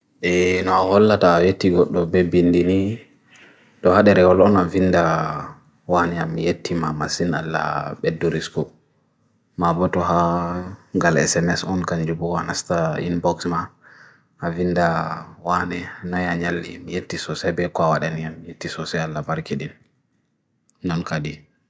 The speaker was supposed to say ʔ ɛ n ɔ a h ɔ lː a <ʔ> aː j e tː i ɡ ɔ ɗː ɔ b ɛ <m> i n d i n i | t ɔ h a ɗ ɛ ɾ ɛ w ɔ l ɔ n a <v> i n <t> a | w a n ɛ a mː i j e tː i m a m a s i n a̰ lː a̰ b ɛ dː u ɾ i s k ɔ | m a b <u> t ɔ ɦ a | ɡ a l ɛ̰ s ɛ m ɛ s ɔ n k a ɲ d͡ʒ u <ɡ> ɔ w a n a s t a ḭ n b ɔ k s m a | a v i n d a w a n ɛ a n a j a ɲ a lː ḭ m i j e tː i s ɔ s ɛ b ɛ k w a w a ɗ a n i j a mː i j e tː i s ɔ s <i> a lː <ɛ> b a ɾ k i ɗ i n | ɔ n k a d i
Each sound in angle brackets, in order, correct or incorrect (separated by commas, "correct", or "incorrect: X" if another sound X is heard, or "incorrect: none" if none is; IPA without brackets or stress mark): incorrect: t, incorrect: b, correct, incorrect: d, incorrect: ɔ, incorrect: b, incorrect: ɛ, incorrect: a